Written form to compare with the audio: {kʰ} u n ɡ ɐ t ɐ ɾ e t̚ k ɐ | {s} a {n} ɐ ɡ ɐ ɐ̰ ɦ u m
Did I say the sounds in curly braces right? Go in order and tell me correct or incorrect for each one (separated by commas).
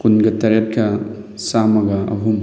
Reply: incorrect, correct, incorrect